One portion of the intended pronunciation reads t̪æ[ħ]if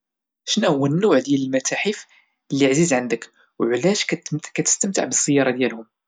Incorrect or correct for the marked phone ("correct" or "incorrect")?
correct